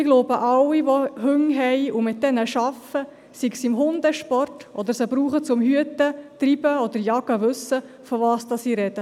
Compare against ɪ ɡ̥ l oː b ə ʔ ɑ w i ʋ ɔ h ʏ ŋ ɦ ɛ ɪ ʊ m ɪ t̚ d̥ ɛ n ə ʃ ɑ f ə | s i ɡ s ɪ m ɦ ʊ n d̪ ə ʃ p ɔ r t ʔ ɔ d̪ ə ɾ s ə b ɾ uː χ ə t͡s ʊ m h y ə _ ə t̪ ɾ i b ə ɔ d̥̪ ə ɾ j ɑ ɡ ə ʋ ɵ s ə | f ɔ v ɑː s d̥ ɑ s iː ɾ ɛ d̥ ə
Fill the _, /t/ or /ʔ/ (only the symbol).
t